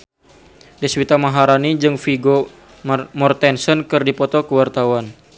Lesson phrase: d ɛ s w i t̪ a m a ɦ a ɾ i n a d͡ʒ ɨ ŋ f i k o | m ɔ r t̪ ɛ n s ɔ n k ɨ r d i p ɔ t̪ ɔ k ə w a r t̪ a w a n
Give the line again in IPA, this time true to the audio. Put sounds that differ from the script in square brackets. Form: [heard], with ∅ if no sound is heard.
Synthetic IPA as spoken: d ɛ s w i t̪ a m a ɦ a ɾ [a] n [i] d͡ʒ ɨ ŋ f i [ɡ] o | m ɔ r t̪ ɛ n s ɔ n k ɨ r d i p ɔ t̪ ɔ k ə w a r t̪ a w a n